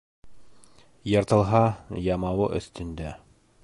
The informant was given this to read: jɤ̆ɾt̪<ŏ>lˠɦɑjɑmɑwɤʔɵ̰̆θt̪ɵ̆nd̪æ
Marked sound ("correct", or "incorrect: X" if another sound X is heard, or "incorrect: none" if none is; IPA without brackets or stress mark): incorrect: ɤ̆